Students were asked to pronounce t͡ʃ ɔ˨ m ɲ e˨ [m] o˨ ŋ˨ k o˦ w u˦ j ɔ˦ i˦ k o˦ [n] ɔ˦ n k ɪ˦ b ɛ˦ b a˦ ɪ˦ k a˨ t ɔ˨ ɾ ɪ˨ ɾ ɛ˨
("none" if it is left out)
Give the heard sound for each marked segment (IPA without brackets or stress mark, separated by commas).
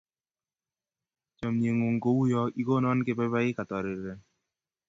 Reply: ŋ, n